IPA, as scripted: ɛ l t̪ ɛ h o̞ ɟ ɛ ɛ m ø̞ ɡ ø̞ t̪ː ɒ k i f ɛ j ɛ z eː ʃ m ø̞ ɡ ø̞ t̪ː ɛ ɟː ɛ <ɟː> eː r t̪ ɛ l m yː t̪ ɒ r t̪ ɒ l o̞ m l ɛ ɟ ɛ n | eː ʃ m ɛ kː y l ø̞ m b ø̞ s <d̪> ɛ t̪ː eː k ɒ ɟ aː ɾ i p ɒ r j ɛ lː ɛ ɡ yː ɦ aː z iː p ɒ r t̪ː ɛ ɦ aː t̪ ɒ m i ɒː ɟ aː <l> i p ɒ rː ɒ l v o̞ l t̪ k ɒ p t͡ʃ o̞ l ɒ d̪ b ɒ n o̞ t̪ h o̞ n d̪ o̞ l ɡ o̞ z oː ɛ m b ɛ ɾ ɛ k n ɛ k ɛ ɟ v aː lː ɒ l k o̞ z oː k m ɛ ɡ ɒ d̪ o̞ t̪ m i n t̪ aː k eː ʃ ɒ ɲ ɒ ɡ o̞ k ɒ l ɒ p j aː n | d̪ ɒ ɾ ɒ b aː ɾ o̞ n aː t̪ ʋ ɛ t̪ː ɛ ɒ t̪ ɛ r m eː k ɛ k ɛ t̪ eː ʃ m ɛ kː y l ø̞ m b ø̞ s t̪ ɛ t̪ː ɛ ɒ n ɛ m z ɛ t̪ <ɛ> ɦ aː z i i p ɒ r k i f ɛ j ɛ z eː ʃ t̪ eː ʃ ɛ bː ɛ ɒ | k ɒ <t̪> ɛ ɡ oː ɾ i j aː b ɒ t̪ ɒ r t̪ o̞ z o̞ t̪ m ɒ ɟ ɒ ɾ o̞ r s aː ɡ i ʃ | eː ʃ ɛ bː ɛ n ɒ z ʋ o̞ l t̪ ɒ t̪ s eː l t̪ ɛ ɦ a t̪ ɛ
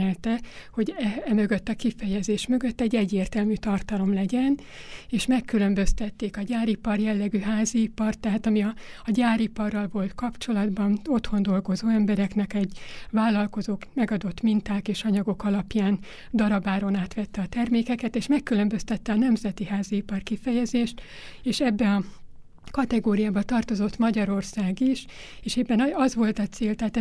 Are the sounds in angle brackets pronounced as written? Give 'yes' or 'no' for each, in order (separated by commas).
yes, no, no, no, yes